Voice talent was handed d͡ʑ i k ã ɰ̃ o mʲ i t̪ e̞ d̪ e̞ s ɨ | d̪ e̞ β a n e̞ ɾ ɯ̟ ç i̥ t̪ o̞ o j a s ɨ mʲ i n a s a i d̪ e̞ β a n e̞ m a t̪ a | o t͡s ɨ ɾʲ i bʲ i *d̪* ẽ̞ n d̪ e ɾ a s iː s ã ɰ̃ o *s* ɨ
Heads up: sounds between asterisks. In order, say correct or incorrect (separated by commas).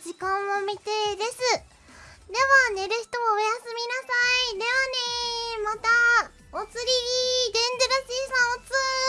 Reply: correct, incorrect